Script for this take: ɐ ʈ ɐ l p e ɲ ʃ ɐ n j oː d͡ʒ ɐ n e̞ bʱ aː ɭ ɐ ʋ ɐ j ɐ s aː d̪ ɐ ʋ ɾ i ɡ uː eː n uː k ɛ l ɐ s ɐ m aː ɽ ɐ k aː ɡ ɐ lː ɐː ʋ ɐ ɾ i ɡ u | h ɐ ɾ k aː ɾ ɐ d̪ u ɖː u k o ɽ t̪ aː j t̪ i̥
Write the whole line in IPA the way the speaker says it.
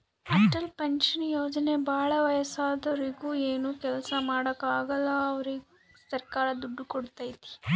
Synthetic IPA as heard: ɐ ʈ ɐ l p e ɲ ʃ ɐ n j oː d͡ʒ ɐ n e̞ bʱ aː ɭ ɐ ʋ ɐ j ɐ s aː d̪ ɐ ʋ ɾ i ɡ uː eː n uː k ɛ l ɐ s ɐ m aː ɽ ɐ k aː ɡ ɐ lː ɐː ʋ ɐ ɾ i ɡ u | s ɐ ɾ k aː ɾ ɐ d̪ u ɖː u k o ɽ t̪ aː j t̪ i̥